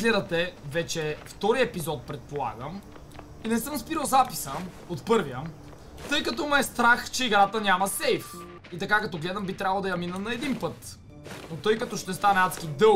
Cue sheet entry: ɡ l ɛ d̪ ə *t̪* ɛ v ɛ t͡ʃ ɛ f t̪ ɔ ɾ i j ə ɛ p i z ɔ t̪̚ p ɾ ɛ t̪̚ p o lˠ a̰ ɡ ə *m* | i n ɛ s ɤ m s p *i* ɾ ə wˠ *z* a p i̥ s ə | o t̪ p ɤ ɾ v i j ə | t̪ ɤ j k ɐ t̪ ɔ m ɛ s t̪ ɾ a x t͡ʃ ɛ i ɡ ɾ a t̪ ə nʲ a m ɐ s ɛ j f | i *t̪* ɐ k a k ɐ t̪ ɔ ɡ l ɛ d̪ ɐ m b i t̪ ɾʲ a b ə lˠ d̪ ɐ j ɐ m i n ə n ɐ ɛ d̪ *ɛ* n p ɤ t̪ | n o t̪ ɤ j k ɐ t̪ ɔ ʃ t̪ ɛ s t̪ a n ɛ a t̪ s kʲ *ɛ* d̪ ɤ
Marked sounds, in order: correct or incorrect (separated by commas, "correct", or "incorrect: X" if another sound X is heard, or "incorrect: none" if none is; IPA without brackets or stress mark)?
correct, correct, correct, correct, correct, incorrect: i, incorrect: i